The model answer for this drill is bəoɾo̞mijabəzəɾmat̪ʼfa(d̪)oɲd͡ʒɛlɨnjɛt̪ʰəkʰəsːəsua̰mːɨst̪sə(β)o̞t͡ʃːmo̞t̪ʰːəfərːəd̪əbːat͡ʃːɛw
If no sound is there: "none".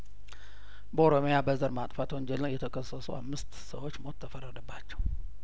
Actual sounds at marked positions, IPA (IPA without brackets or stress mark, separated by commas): t̪, w